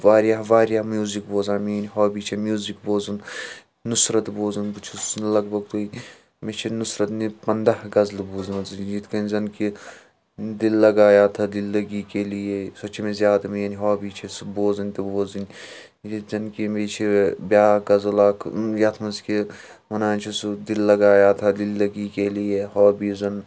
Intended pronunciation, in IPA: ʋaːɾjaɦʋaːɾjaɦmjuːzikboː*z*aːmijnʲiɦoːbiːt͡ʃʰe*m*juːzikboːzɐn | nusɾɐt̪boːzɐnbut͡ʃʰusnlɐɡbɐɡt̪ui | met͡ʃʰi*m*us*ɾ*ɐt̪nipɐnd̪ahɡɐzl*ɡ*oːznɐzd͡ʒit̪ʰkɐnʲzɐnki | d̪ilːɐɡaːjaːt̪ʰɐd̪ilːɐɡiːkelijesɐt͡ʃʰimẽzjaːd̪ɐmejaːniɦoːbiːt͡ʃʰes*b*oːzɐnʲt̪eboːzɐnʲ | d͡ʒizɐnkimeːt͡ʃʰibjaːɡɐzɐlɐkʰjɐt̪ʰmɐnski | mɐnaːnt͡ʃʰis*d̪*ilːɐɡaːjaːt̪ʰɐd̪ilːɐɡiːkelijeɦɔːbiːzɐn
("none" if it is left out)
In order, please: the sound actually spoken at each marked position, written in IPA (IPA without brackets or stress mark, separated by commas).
z, m, n, ɾ, b, b, d̪